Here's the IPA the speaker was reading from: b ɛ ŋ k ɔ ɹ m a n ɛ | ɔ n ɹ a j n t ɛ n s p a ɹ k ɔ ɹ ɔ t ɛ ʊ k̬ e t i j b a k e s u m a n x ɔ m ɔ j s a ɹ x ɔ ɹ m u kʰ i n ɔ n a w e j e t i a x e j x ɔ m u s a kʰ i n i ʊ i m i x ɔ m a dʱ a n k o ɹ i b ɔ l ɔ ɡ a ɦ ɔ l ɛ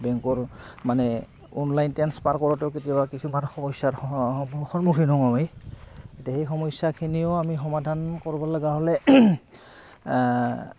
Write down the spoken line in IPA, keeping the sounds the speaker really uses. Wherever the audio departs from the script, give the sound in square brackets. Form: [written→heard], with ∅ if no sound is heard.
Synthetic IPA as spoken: b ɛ ŋ k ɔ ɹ m a n ɛ | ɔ n [ɹ→l] a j n t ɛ n s p a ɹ k ɔ ɹ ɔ t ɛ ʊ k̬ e t i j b a k [e→i] s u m a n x ɔ m ɔ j s a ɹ x ɔ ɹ m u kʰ i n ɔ [n→ŋ] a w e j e t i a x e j x ɔ m [u→ɔ] s a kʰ i n i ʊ [i→a] m i x ɔ m a dʱ a n k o ɹ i b ɔ l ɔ ɡ a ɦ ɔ l ɛ